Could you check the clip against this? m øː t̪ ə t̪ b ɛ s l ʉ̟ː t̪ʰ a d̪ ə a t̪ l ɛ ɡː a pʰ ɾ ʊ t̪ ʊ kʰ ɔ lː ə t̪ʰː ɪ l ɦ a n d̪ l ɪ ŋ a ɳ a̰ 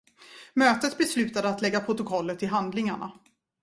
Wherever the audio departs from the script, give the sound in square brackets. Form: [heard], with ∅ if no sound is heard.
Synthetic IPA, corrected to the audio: m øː t̪ ə t̪ b ɛ s l ʉ̟ː [t̪] a d̪ ə a t̪ l ɛ ɡː a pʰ ɾ ʊ t̪ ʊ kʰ ɔ lː ə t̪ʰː ɪ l ɦ a n d̪ l ɪ ŋ a ɳ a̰